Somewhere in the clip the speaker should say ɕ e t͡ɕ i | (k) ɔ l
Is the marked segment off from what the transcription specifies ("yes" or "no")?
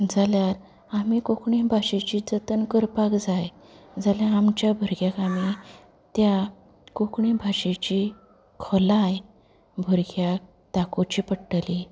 yes